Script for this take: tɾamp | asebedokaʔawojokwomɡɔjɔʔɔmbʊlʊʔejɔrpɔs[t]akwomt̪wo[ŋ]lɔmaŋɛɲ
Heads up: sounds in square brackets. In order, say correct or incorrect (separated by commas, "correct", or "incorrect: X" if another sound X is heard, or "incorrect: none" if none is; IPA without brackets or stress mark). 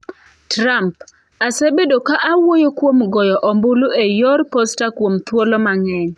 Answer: correct, incorrect: none